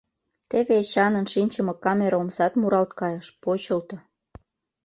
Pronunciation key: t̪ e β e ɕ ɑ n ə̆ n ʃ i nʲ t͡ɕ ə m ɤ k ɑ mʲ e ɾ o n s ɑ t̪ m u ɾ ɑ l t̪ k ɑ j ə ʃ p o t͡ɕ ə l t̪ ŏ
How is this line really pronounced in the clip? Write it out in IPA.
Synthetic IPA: t̪ e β e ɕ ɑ n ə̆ n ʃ i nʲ t͡ɕ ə m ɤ k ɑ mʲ e ɾ o m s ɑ t̪ m u ɾ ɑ l t̪ k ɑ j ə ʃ p o t͡ɕ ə l t̪ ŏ

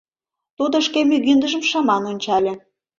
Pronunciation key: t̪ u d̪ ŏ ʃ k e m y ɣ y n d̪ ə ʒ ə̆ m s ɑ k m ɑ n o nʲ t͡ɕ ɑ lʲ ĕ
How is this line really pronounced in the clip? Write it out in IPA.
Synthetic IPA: t̪ u d̪ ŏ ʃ k e m y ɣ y n d̪ ə ʒ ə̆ m ʃ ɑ m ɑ n o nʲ t͡ɕ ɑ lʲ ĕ

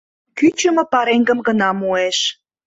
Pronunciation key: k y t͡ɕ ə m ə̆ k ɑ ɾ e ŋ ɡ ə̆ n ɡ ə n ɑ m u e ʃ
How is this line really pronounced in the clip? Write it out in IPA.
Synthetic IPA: k y t͡ɕ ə m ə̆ p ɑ ɾ e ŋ ɡ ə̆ m ɡ ə n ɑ m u e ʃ

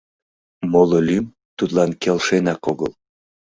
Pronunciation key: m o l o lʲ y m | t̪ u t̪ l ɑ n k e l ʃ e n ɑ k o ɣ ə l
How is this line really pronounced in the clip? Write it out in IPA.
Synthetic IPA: m o l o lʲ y m | t̪ u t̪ l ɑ n k e l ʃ e n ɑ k o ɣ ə l

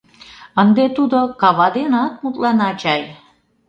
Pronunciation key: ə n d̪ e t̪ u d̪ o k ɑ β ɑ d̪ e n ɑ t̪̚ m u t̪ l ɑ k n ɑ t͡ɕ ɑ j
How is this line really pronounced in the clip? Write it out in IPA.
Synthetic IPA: ə n d̪ e t̪ u d̪ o k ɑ β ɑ d̪ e n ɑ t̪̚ m u t̪ l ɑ n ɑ t͡ɕ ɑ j

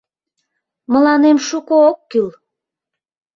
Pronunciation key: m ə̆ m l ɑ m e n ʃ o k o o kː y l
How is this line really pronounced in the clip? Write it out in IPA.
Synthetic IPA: m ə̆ l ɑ n e m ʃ u k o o kː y l

